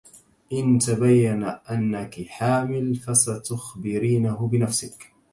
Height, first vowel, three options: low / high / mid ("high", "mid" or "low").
high